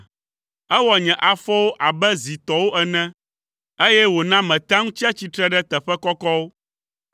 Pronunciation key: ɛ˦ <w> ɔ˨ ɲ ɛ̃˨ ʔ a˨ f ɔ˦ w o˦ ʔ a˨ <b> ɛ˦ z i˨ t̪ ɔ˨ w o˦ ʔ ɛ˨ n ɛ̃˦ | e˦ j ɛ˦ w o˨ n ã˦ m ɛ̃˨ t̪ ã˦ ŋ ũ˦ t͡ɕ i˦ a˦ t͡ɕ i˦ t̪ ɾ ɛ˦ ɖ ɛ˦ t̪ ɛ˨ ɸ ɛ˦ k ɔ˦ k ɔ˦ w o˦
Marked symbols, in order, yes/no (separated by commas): yes, yes